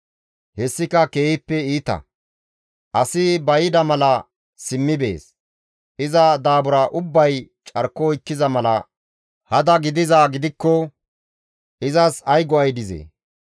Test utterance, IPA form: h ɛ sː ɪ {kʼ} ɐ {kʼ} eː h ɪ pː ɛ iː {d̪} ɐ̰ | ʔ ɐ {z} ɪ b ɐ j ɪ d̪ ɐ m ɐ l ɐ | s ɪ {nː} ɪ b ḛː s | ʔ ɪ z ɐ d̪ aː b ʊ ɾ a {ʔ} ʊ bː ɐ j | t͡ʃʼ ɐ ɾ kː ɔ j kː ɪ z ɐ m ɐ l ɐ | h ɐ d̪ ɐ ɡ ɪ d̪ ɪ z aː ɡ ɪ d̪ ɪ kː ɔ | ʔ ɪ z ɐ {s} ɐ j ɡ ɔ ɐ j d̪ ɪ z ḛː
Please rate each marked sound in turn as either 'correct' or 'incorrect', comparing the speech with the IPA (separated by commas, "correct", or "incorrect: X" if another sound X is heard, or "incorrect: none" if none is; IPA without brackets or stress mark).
incorrect: k, incorrect: k, incorrect: t̪, incorrect: s, incorrect: mː, correct, correct